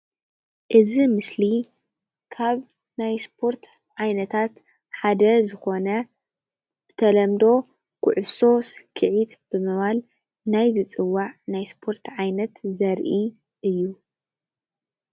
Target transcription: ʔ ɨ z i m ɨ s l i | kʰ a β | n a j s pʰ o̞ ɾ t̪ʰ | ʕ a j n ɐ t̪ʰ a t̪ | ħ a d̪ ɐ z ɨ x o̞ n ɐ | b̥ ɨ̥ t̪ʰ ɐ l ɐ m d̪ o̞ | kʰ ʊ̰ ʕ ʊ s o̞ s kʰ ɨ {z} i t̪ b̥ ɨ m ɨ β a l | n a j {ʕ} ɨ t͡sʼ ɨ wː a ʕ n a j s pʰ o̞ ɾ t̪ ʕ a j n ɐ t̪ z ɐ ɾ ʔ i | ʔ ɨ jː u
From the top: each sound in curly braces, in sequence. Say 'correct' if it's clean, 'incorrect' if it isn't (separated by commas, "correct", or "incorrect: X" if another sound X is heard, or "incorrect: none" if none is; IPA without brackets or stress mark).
incorrect: ʕ, incorrect: z